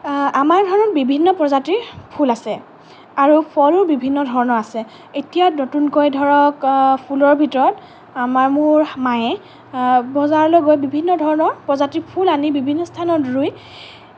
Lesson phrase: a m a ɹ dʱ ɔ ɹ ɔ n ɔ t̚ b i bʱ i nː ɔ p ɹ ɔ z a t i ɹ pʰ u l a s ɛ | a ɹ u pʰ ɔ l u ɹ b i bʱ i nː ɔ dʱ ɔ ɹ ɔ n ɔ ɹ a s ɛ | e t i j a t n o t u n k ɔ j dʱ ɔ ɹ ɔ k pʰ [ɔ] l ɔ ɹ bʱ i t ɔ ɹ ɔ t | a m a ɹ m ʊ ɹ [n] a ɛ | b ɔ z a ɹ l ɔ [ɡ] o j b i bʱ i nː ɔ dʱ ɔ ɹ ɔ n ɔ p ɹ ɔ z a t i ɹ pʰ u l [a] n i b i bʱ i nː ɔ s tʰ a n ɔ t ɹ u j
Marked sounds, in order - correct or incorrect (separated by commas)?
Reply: incorrect, incorrect, correct, correct